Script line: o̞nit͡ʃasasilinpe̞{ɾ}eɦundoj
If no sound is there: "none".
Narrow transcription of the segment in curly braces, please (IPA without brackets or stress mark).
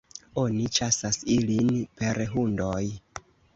ɾ